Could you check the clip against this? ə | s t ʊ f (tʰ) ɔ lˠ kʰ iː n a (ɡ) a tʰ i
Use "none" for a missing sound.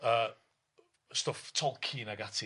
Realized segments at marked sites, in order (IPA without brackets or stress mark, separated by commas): tʰ, ɡ